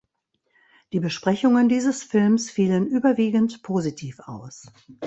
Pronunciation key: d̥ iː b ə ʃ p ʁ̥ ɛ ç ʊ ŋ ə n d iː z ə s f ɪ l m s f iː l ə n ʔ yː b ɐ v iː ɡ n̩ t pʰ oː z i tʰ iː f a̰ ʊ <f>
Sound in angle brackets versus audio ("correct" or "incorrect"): incorrect